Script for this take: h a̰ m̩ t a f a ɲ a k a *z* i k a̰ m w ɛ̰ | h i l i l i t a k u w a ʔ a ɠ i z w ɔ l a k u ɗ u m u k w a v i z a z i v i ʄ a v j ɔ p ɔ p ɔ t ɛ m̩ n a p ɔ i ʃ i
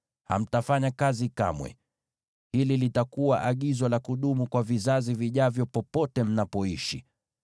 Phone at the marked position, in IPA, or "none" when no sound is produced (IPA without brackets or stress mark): z